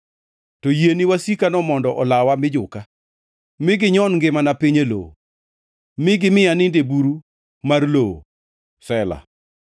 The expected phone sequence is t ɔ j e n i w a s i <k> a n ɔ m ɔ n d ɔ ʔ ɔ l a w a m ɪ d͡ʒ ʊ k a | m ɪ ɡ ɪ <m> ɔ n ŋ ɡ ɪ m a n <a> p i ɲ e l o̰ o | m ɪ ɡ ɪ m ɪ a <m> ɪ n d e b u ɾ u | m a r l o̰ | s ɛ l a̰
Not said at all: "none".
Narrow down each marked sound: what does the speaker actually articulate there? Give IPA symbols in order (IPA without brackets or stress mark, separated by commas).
k, ɲ, a, n